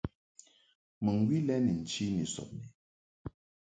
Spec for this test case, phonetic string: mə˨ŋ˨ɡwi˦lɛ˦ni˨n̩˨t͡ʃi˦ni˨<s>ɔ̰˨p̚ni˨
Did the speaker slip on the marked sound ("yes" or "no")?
no